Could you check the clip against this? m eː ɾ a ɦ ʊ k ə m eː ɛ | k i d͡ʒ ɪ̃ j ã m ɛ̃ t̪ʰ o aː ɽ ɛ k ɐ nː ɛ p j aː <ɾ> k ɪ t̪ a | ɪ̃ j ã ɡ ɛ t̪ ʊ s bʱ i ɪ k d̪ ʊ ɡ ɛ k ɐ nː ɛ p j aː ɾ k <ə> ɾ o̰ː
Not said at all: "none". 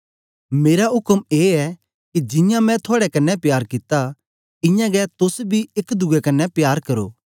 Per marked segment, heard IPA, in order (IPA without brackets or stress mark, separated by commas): ɾ, ɐ